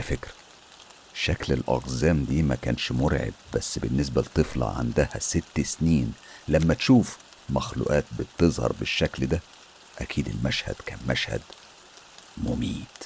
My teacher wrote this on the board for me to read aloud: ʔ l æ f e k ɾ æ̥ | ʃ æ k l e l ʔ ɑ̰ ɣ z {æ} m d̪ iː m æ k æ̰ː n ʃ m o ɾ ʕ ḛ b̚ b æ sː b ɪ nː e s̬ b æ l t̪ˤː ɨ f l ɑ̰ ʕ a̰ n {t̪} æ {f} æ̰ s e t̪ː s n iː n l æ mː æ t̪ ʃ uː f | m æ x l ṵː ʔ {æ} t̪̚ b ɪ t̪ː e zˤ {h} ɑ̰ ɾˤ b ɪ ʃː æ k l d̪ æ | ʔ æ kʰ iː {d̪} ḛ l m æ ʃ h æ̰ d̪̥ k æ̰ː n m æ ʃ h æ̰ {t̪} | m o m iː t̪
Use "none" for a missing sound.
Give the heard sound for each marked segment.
æː, d̪, h, æː, h, d̪, d̪

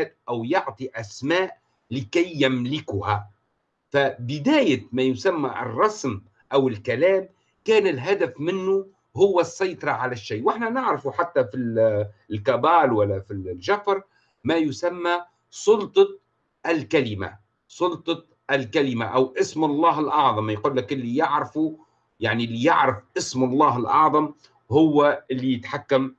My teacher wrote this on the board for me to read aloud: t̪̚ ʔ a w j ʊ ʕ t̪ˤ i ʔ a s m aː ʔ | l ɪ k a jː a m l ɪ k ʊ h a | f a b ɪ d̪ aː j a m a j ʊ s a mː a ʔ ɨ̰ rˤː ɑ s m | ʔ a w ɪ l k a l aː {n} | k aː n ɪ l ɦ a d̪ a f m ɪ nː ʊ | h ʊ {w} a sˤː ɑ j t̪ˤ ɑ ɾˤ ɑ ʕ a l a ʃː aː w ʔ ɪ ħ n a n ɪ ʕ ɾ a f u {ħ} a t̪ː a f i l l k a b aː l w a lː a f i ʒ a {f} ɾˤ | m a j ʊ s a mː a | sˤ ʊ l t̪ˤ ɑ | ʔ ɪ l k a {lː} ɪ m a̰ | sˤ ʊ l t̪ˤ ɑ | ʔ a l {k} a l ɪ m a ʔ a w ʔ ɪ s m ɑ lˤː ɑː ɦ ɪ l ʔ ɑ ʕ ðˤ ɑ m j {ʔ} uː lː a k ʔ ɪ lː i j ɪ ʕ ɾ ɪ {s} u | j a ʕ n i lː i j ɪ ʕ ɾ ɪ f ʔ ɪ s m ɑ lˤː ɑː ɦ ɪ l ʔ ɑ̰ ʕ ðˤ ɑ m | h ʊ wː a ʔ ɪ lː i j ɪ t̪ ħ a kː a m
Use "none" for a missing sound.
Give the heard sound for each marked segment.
m, wː, ħ, f, l, k, q, f

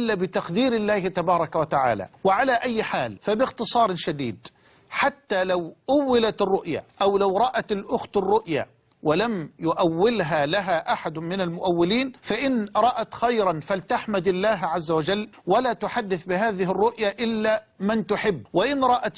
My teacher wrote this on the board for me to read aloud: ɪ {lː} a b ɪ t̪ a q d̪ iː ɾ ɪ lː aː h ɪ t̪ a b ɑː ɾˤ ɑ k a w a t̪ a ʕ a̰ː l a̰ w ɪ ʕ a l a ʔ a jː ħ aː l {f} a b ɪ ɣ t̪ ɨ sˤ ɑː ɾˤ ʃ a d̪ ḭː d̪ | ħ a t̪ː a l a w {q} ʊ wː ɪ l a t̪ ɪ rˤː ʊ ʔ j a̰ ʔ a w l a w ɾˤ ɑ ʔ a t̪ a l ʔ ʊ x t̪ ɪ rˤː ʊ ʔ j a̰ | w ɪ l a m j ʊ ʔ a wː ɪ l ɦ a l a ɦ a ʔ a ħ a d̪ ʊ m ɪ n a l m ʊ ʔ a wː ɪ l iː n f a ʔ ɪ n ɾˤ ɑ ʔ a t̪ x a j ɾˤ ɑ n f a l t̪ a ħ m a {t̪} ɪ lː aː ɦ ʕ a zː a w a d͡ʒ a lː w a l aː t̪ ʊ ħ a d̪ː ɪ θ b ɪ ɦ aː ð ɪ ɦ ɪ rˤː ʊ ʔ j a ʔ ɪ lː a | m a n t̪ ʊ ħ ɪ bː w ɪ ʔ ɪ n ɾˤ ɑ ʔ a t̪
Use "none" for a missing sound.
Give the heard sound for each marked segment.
lː, f, ʔ, d̪

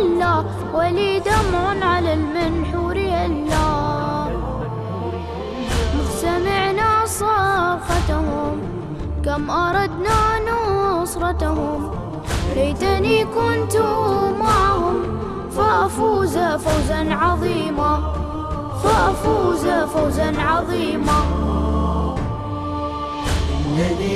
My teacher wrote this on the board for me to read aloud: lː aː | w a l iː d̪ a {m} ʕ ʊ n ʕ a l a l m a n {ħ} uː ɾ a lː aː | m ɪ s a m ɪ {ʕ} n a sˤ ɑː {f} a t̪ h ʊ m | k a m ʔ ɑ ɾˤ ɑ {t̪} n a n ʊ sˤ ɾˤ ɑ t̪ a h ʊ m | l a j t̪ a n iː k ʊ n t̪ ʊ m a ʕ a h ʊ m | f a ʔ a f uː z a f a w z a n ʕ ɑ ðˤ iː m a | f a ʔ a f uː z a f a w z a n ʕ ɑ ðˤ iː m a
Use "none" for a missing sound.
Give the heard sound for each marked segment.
m, ħ, ʕ, f, d̪

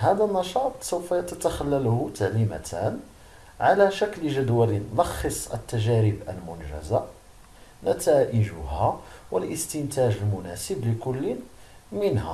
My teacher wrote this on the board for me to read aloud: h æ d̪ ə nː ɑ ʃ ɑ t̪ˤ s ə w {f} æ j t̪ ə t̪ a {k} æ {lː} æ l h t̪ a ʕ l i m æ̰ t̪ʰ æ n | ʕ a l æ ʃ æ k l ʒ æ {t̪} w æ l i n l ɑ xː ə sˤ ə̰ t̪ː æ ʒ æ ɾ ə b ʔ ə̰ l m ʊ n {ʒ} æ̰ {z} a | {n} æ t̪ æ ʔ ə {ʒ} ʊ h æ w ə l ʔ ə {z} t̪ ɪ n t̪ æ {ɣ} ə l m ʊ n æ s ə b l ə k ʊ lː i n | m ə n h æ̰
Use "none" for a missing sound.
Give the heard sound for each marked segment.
f, x, lː, d̪, ʒ, z, n, ʒ, s, ʒ

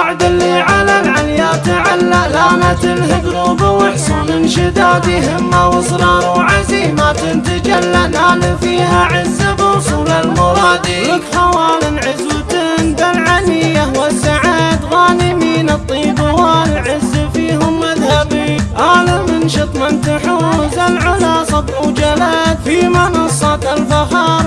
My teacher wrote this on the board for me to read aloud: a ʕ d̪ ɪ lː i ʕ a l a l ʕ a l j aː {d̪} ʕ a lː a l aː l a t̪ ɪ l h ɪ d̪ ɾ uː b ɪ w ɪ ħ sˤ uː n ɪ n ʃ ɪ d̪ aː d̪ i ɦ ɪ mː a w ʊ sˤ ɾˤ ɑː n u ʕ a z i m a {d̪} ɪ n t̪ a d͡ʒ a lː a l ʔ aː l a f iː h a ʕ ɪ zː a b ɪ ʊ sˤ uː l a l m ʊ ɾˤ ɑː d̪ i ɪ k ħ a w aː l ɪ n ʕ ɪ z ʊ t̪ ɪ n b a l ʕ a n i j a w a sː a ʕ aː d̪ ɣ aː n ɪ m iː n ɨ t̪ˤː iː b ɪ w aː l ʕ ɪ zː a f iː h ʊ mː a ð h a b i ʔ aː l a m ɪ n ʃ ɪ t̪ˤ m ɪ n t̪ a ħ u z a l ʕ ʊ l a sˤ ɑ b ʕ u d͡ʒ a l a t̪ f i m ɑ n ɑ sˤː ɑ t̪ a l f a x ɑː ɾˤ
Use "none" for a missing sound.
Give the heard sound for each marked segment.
t̪, t̪

